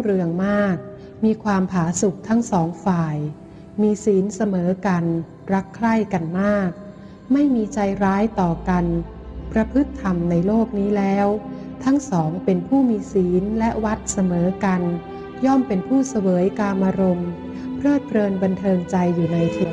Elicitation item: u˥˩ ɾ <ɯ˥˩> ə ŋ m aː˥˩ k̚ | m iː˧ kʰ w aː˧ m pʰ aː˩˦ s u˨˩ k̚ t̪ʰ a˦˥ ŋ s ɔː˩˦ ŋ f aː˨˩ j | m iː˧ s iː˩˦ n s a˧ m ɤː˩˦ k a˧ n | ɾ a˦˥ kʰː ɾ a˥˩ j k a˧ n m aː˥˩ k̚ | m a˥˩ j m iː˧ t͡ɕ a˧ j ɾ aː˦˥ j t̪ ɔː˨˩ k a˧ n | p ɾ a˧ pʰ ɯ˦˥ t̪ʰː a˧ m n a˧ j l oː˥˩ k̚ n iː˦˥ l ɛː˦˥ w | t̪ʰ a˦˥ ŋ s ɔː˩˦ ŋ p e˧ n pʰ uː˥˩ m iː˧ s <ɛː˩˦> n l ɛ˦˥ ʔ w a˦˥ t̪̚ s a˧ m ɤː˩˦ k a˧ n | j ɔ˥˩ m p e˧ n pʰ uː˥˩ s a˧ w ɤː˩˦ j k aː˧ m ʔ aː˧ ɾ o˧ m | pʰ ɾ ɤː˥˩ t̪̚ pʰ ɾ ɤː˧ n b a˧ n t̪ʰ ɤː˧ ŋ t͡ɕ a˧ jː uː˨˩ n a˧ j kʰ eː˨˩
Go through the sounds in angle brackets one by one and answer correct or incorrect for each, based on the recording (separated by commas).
incorrect, incorrect